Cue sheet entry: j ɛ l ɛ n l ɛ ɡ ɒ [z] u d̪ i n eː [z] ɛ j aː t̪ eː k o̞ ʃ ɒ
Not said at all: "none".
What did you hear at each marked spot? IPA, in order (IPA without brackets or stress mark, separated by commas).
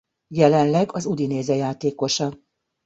z, z